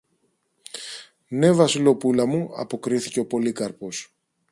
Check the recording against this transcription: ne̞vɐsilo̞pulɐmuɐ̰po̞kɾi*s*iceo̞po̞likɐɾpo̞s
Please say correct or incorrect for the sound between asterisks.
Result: incorrect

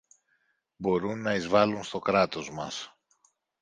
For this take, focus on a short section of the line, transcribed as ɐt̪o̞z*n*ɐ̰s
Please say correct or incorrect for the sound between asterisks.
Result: incorrect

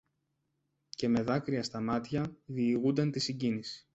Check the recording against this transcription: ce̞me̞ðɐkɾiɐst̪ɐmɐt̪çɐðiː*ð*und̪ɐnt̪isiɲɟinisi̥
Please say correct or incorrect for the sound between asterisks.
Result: incorrect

